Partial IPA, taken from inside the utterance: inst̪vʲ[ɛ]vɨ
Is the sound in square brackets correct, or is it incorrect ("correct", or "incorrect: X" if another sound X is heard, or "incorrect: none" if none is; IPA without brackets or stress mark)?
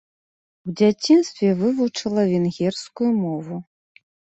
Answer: correct